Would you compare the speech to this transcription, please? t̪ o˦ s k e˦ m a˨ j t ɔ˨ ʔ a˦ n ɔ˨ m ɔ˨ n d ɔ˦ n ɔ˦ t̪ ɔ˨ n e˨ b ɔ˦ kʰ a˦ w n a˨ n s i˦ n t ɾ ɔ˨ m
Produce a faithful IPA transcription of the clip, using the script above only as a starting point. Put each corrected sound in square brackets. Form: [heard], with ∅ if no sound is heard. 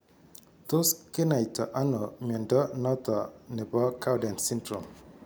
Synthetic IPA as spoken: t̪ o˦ s k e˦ [n] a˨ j t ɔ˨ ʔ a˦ n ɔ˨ m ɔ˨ n d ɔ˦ n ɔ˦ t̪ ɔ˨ n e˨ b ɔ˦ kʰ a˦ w [d] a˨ n s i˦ n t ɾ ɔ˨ m